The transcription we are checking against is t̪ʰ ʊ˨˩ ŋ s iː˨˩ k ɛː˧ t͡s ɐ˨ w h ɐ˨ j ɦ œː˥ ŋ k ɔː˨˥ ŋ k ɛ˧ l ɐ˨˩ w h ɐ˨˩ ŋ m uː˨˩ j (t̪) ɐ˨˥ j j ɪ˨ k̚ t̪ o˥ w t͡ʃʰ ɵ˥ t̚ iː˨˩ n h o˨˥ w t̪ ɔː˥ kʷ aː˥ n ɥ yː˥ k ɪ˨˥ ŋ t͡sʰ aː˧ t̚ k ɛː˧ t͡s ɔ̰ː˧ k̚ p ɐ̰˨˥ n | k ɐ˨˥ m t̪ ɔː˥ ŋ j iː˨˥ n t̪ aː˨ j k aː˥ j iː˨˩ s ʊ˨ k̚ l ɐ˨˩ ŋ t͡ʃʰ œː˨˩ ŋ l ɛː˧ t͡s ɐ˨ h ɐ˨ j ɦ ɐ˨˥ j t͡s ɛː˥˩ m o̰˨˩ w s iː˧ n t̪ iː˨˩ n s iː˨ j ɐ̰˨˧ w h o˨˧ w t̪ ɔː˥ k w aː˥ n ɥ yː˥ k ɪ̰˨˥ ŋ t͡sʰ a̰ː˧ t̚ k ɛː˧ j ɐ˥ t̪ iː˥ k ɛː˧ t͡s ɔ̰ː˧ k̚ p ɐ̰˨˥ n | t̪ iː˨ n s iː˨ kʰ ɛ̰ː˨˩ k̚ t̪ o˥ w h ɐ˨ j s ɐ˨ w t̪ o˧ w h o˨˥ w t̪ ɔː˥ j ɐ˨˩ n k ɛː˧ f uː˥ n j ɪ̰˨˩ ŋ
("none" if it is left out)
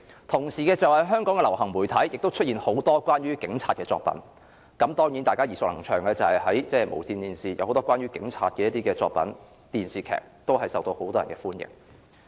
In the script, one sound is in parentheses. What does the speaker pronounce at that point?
t̪ʰ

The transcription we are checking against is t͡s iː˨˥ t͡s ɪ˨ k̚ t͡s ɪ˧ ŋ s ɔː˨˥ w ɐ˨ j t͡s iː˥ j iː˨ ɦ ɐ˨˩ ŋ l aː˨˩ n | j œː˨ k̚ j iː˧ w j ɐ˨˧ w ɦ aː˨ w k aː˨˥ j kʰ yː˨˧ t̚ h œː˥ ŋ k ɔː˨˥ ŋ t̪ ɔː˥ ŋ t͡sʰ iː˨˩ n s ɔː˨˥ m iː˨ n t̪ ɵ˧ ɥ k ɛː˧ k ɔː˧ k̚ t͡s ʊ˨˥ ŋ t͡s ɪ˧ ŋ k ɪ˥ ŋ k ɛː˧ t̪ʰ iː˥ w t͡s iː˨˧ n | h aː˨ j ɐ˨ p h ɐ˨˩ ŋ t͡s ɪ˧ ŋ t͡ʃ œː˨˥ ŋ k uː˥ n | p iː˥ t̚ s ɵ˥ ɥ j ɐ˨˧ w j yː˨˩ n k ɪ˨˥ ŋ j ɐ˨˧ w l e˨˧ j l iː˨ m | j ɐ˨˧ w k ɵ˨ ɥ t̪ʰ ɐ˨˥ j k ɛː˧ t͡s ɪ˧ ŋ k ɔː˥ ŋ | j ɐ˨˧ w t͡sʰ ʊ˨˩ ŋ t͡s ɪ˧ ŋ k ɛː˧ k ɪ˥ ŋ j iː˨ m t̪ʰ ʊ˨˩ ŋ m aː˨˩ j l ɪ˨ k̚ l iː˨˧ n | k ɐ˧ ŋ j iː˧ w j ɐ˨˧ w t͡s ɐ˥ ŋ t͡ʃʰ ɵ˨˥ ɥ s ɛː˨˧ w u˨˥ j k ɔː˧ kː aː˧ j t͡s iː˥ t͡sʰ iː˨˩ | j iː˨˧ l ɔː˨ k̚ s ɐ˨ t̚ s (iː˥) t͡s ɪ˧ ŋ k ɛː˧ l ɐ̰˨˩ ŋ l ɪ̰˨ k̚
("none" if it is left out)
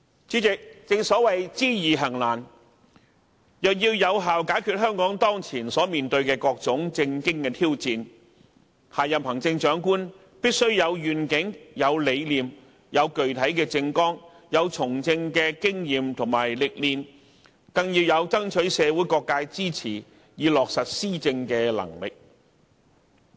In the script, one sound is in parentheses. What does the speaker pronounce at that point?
iː˥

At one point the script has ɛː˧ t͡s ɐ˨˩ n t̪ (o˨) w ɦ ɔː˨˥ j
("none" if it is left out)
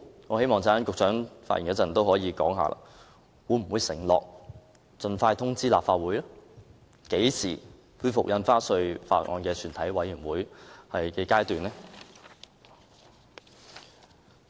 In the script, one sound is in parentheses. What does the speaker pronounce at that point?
o˥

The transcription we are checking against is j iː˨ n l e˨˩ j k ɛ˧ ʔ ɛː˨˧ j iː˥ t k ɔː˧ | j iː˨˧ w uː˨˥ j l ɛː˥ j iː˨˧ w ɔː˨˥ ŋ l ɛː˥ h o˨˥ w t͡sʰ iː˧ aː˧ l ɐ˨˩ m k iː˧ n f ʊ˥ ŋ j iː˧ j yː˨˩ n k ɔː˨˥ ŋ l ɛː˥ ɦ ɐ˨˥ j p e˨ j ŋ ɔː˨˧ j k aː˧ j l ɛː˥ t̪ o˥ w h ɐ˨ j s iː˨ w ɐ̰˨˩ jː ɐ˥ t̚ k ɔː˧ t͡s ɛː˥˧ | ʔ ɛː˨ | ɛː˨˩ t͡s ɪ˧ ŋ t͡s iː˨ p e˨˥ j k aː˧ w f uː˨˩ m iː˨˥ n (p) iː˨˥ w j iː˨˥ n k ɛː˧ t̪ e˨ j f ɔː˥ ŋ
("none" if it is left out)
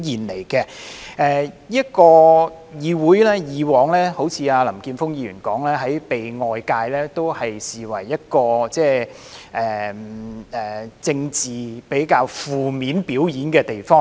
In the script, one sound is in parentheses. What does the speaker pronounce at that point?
p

